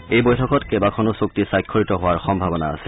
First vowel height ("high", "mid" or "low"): mid